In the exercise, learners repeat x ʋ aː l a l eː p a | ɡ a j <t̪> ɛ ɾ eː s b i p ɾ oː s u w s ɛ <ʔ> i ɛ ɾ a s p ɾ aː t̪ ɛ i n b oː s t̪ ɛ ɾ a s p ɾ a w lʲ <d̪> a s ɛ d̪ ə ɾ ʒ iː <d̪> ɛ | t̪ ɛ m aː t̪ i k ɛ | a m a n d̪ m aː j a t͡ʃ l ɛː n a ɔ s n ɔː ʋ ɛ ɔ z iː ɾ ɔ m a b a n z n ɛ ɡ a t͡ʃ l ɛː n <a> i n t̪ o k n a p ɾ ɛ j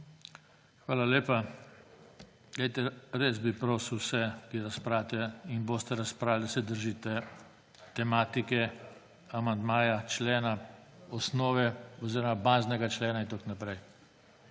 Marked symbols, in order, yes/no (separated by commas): yes, no, yes, no, yes